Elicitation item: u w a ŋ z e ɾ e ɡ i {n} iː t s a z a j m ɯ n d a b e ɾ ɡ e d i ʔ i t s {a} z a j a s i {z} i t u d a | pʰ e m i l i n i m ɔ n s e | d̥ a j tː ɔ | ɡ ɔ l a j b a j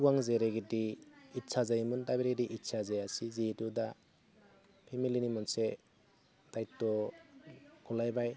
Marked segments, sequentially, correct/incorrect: incorrect, correct, correct

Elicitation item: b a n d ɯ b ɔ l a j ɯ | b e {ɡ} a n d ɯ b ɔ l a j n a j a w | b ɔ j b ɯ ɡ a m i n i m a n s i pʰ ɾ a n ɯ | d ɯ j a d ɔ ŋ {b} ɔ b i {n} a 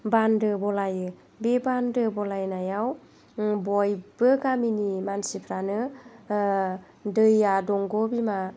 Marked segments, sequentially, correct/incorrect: incorrect, incorrect, incorrect

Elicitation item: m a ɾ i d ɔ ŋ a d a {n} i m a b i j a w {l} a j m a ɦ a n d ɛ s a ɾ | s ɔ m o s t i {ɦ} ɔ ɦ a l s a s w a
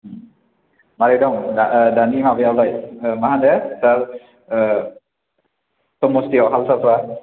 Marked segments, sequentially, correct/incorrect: correct, correct, incorrect

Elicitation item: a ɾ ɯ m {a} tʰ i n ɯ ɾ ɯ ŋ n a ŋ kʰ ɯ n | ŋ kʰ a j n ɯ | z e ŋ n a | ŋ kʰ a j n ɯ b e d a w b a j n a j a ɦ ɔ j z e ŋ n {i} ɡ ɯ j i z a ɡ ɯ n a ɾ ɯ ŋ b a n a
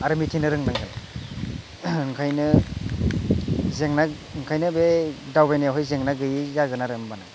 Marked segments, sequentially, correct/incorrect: incorrect, incorrect

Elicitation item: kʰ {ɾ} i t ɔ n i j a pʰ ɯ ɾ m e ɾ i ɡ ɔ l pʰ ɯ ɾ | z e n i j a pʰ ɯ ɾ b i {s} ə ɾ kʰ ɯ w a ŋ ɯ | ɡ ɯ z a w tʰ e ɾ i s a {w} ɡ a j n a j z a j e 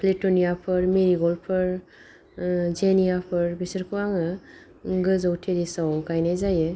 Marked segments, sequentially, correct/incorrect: incorrect, correct, correct

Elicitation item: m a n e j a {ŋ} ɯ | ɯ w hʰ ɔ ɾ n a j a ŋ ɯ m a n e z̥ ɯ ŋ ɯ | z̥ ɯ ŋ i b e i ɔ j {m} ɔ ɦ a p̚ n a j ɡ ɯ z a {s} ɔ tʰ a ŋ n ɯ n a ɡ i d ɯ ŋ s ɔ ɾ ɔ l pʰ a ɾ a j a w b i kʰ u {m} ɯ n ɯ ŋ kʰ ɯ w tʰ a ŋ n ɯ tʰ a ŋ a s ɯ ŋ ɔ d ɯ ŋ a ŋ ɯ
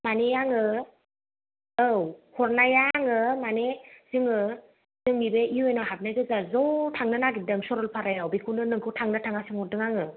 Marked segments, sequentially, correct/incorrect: correct, incorrect, incorrect, incorrect

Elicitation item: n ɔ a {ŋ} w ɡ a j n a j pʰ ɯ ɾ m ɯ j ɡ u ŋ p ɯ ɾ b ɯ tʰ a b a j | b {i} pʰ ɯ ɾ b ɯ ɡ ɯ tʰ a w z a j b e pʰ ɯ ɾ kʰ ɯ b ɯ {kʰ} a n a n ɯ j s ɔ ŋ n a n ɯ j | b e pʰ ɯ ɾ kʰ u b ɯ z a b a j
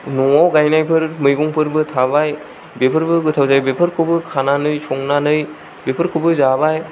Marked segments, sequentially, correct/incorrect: incorrect, incorrect, correct

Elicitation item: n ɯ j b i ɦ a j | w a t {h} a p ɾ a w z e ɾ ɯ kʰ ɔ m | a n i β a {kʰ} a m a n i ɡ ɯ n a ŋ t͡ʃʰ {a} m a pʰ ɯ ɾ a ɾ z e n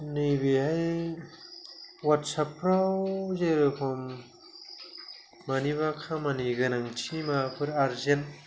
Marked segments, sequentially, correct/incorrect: incorrect, correct, incorrect

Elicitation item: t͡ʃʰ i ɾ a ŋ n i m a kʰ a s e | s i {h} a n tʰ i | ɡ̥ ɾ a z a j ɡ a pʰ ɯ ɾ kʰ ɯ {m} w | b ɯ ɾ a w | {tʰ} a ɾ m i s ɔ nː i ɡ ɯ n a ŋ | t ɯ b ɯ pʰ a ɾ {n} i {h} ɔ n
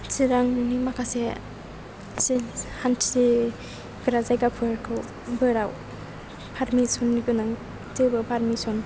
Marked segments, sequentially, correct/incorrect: correct, incorrect, incorrect, incorrect, incorrect

